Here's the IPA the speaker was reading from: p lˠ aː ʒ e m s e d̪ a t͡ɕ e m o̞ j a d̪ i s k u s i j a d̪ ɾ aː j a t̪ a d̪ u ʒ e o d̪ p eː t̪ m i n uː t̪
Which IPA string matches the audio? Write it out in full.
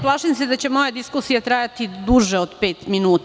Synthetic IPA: p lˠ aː ʃ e m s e d̪ a t͡ɕ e m o̞ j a d̪ i s k u s i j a t̪ ɾ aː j a t̪ i d̪ u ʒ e o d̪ p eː t̪ m i n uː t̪